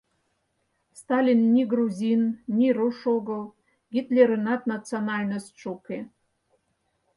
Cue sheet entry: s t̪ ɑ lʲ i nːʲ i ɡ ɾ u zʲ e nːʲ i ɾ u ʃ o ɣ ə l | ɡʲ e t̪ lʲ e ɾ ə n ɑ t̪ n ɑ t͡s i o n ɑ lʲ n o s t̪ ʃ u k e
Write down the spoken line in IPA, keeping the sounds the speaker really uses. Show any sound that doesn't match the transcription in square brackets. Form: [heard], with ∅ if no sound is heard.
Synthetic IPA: s t̪ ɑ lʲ i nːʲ i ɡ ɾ u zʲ [i] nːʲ i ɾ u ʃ o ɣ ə l | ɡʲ [i] t̪ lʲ e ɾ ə n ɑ t̪ n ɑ t͡s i o n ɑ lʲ n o s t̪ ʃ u k e